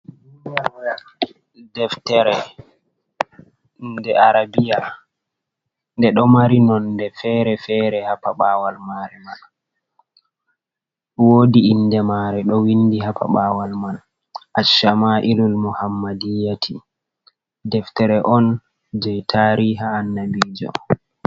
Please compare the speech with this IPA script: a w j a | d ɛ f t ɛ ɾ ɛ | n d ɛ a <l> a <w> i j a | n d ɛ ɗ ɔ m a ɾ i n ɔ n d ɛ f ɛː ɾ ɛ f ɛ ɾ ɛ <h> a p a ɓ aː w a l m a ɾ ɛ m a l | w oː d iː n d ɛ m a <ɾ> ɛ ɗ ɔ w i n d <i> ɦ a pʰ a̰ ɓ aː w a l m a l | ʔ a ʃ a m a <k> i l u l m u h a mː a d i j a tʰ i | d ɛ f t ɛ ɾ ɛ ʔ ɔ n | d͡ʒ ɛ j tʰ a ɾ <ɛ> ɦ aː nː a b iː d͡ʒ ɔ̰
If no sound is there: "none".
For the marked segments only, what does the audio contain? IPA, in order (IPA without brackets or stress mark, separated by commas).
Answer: ɾ, b, h, ɾ, i, ʔ, i